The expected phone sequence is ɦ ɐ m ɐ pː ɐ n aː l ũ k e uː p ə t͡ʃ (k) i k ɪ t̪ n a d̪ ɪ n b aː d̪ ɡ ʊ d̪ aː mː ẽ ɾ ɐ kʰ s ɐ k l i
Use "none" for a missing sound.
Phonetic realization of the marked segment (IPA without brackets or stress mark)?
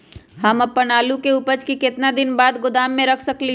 k